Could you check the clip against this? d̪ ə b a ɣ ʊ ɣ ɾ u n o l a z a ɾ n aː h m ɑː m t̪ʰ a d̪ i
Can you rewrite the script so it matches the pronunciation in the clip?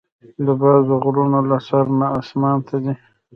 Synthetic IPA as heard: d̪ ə b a z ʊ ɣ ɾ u n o l a s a ɾ n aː s m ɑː n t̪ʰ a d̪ i